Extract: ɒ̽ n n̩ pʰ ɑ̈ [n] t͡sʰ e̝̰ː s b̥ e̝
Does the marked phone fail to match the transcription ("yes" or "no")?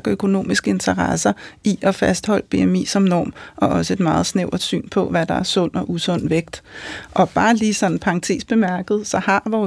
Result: yes